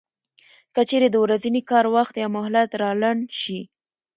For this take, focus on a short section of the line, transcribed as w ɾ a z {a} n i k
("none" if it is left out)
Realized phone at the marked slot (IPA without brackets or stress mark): i